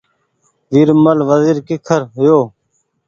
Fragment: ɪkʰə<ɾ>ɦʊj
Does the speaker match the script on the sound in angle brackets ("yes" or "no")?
yes